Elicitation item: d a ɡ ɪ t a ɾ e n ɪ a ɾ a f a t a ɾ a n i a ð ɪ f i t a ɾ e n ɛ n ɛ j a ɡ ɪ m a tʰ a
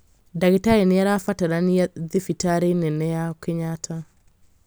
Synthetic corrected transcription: d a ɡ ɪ t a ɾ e n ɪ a ɾ a f a t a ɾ a n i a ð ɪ f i t a ɾ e n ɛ n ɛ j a k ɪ ɲ a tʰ a